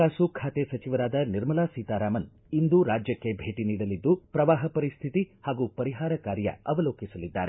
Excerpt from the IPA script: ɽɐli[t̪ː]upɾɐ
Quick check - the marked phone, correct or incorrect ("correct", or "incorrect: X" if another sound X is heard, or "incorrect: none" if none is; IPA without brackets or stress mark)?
incorrect: d̪ː